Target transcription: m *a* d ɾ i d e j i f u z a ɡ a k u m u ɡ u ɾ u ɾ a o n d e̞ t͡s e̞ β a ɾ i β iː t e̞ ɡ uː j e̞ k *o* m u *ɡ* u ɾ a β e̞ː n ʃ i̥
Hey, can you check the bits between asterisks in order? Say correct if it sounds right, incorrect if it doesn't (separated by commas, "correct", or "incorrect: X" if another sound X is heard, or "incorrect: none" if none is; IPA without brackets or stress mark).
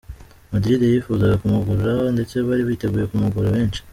correct, incorrect: u, correct